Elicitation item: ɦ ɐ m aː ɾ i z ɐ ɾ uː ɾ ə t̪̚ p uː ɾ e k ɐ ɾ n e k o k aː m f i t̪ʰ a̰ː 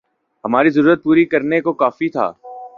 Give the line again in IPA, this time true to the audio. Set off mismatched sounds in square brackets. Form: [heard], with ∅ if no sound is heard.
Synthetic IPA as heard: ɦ ɐ m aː ɾ i z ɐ ɾ uː ɾ ə t̪̚ p uː ɾ [i] k ɐ ɾ n e k o k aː [∅] f i t̪ʰ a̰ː